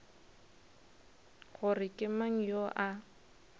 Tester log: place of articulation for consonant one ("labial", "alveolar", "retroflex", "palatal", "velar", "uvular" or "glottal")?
velar